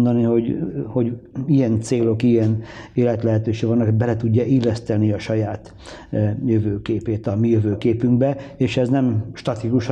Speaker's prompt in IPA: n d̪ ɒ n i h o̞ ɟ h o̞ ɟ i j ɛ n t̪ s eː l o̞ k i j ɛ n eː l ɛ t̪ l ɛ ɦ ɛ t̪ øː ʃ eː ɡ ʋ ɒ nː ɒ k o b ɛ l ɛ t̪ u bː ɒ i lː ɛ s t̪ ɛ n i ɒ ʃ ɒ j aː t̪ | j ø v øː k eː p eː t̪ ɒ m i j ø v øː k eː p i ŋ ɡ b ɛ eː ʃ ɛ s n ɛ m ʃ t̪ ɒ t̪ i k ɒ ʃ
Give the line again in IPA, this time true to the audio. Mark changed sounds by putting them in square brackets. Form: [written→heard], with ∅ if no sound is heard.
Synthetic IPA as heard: n d̪ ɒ n i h o̞ ɟ h o̞ ɟ i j ɛ n t̪ s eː l o̞ k i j ɛ n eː l ɛ t̪ l ɛ ɦ ɛ t̪ øː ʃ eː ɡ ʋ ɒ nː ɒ k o b ɛ l ɛ t̪ u [bː→ɟː] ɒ i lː ɛ s t̪ ɛ n i ɒ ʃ ɒ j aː t̪ | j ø v øː k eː p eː t̪ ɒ m i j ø v øː k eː p [i→y] ŋ ɡ b ɛ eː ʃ ɛ [s→z] n ɛ m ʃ t̪ ɒ t̪ i k [ɒ→u] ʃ